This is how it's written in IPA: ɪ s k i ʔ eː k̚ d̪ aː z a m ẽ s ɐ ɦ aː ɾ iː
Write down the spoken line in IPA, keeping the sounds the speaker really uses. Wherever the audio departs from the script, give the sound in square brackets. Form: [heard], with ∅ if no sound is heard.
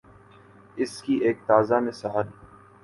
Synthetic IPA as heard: ɪ s k i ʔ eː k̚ [t̪] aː z a m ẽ s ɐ ɦ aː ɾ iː

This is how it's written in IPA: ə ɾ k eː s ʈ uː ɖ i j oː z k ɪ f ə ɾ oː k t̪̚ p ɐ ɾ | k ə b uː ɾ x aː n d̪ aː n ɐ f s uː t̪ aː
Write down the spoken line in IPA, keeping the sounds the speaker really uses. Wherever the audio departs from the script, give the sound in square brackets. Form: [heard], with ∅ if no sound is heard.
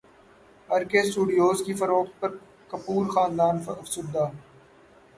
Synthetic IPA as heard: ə ɾ k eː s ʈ uː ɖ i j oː z k [i] f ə ɾ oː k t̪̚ p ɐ ɾ | k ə [p] uː ɾ x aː n d̪ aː n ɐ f s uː [d̪] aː

